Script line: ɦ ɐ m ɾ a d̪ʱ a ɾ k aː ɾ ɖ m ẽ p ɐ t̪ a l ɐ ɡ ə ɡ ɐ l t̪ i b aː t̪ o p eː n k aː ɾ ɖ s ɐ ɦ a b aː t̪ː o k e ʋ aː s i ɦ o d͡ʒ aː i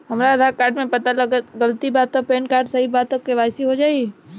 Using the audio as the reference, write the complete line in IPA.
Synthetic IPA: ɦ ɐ m ɾ a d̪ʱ a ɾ k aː ɾ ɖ m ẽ p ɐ t̪ a l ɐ ɡ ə ɡ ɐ l t̪ i b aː t̪ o p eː n k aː ɾ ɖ s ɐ ɦ i b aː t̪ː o k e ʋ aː s i ɦ o d͡ʒ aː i

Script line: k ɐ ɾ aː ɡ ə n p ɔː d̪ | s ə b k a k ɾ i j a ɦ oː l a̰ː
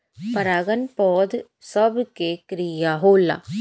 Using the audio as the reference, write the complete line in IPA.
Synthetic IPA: p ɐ ɾ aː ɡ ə n p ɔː d̪ | s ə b k e k ɾ i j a ɦ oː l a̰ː

